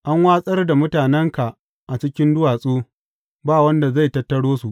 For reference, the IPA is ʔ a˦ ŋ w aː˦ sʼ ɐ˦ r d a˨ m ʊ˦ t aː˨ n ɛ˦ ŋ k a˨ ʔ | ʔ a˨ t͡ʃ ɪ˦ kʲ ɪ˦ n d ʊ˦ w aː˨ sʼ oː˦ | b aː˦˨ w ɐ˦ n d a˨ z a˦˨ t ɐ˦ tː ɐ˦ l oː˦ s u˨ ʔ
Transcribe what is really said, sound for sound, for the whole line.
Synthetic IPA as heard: ʔ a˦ ŋ w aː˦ sʼ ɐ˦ r d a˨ m ʊ˦ t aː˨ n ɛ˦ ŋ k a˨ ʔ | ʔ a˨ t͡ʃ ɪ˦ kʲ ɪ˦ n d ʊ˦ w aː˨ sʼ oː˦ | b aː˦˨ w ɐ˦ n d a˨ z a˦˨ t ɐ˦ tː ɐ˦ ɽ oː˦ s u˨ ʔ